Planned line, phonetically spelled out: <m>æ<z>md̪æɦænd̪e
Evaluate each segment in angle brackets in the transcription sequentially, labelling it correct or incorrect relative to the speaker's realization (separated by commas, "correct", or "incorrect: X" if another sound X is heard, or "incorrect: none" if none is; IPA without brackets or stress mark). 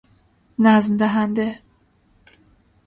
incorrect: n, correct